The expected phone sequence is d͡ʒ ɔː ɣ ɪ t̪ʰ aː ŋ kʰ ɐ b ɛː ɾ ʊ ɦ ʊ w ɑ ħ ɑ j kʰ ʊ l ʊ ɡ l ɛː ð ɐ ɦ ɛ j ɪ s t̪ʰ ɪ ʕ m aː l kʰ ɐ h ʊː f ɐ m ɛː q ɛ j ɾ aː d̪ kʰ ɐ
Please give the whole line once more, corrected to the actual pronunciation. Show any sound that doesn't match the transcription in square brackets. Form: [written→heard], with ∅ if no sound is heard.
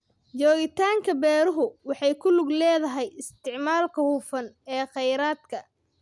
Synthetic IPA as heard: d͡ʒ ɔː ɣ ɪ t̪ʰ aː ŋ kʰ ɐ b ɛː ɾ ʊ ɦ ʊ w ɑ ħ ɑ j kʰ ʊ l ʊ ɡ l ɛː ð ɐ ɦ ɛ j ɪ s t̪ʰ ɪ ʕ m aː l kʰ ɐ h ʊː f ɐ [m→n] ɛː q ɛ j ɾ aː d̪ kʰ ɐ